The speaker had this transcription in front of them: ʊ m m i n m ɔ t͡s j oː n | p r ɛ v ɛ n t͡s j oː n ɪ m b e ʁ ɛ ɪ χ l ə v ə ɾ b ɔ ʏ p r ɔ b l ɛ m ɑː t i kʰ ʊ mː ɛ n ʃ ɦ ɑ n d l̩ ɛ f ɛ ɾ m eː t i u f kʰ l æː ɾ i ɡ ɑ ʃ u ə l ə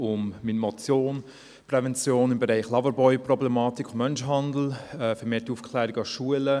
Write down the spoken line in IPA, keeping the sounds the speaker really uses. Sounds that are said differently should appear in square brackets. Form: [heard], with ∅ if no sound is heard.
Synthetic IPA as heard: ʊ m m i n m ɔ t͡s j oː n | p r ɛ v ɛ n t͡s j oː n ɪ m b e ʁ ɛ ɪ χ l [ɑ] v ə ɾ b ɔ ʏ p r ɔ b l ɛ m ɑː t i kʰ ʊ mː [œ] n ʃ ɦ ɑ n d l̩ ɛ f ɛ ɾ m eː t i u f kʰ l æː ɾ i ɡ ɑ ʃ u ə l ə